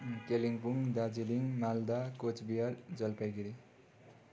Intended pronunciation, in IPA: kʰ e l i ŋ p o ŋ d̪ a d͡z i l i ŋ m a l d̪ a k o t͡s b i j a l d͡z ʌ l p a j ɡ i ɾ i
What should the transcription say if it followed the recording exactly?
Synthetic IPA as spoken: k e l i ŋ p u ŋ d̪ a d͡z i l i ŋ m a l d̪ a k o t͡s b i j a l d͡z ʌ l p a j ɡ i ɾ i